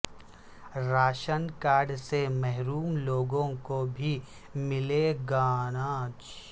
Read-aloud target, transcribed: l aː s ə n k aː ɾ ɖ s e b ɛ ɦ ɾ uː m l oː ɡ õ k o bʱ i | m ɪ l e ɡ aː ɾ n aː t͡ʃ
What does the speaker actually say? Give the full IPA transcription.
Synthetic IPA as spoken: ɾ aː ʃ ə n k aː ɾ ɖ s e m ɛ ɦ ɾ uː m l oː ɡ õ k o bʱ i | m ɪ l e ɡ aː n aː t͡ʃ